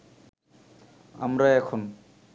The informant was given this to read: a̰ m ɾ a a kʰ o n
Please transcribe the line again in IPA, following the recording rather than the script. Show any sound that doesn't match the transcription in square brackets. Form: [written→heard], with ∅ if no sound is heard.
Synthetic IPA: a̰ m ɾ a [a→ɛ] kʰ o n